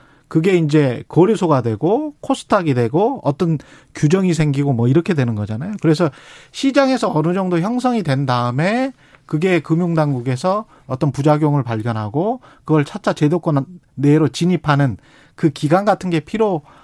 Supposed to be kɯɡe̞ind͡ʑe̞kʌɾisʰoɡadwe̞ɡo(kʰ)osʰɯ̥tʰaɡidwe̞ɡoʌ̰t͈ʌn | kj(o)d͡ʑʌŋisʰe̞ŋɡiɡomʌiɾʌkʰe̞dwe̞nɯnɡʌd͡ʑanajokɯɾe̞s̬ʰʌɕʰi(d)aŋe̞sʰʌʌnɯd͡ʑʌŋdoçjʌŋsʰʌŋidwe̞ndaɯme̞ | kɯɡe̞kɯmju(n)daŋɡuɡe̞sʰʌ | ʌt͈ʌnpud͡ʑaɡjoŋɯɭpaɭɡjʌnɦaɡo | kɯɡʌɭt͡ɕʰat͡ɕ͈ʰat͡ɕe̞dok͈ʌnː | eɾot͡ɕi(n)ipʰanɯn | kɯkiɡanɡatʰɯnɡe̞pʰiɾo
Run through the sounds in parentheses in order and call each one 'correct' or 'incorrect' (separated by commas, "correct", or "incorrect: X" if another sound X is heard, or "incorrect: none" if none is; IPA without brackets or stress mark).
correct, incorrect: u, incorrect: d͡ʑ, incorrect: ŋ, incorrect: ɲ